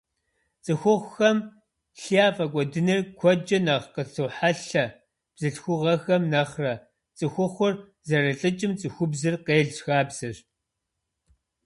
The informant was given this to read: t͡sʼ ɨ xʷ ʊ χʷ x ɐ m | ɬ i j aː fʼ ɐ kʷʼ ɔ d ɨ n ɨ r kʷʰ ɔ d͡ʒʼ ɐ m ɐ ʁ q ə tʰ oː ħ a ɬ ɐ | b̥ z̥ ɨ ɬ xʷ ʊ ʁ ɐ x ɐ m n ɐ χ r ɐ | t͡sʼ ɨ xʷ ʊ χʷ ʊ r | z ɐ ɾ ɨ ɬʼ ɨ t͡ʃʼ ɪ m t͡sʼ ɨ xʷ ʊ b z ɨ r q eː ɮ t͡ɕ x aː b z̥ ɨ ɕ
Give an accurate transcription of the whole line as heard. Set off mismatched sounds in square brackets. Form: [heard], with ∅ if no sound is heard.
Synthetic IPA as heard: t͡sʼ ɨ xʷ ʊ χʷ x ɐ m | ɬ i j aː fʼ ɐ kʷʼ ɔ d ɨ n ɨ r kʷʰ ɔ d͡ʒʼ ɐ [n] ɐ ʁ q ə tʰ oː ħ a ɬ ɐ | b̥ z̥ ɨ ɬ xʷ ʊ ʁ ɐ x ɐ m n ɐ χ r ɐ | t͡sʼ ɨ xʷ ʊ χʷ ʊ r | z ɐ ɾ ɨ ɬʼ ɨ t͡ʃʼ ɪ m t͡sʼ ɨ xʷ ʊ b z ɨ r q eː ɮ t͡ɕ x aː b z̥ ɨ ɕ